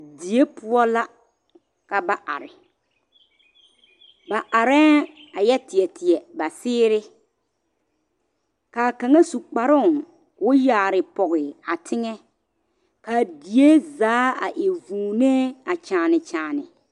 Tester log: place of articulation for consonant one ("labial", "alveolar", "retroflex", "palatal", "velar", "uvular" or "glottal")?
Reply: alveolar